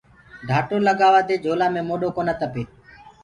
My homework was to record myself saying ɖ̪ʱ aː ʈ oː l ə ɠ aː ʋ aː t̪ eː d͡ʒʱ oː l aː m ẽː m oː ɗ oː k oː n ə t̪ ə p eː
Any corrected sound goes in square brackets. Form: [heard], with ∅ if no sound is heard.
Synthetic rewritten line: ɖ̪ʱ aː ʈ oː l ə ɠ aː ʋ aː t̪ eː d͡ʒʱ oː l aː m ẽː m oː ɗ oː k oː n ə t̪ ə p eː